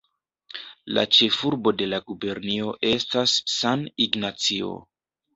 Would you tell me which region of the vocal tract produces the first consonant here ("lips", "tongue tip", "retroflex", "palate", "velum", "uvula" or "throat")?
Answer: tongue tip